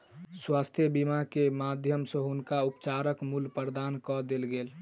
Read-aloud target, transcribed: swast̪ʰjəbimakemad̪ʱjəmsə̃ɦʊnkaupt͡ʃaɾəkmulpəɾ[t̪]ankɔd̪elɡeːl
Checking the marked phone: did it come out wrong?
yes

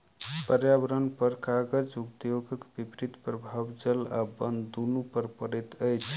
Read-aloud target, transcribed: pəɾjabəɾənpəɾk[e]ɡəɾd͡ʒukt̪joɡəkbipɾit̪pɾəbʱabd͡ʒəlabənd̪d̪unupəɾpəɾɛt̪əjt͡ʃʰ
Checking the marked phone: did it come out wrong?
yes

